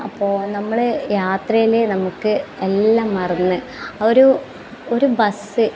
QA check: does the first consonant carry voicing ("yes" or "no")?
no